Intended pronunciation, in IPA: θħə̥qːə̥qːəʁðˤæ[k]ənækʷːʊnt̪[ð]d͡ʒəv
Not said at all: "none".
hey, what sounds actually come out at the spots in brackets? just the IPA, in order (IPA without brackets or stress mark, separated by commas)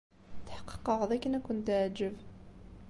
k, ʕ